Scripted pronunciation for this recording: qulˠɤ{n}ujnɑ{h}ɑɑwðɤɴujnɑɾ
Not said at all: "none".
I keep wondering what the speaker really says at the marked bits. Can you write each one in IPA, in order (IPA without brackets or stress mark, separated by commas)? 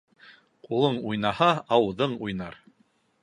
ɴ, h